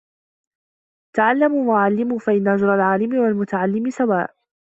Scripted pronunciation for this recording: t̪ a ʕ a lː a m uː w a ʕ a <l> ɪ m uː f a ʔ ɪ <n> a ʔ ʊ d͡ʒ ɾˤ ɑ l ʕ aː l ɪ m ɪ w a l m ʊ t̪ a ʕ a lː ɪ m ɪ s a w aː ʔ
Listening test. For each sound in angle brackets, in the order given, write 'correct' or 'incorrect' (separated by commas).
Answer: incorrect, incorrect